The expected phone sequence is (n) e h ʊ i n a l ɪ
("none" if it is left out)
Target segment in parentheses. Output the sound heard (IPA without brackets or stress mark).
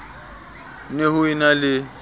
n